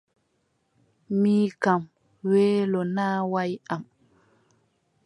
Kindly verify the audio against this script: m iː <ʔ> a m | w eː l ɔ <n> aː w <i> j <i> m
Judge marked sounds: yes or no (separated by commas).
no, yes, no, no